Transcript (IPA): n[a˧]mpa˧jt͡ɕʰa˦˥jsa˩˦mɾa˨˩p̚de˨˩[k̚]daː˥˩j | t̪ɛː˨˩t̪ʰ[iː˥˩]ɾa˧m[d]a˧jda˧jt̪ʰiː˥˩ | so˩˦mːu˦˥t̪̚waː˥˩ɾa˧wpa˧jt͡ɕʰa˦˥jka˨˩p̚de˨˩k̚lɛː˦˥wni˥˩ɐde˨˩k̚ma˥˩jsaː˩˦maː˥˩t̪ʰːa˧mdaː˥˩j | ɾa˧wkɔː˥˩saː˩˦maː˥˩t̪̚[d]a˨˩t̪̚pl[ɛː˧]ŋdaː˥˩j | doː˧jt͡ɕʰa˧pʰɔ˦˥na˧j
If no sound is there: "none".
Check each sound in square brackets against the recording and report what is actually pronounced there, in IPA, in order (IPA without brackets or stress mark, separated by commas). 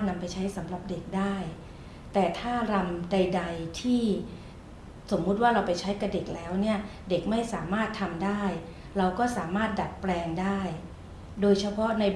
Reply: a˧, k̚, aː˥˩, d, d, ɛː˧